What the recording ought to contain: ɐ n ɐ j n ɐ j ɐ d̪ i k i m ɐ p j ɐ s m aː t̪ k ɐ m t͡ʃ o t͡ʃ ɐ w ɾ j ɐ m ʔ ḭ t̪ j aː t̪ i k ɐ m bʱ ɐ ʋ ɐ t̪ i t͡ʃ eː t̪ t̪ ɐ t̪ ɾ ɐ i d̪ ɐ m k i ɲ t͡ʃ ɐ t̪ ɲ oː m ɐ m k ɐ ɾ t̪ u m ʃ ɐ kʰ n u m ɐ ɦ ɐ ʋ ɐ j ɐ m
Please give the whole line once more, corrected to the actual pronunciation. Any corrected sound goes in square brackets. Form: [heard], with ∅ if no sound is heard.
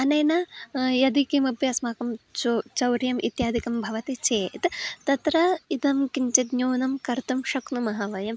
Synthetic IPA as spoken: ɐ n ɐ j n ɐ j ɐ d̪ i k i m ɐ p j ɐ s m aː [∅] k ɐ m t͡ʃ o t͡ʃ ɐ w ɾ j ɐ m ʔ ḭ t̪ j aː [d̪] i k ɐ m bʱ ɐ ʋ ɐ t̪ i t͡ʃ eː t̪ t̪ ɐ t̪ ɾ ɐ i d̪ ɐ m k i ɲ t͡ʃ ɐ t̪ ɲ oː [n] ɐ m k ɐ ɾ t̪ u m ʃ ɐ [k] n u m ɐ ɦ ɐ ʋ ɐ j ɐ m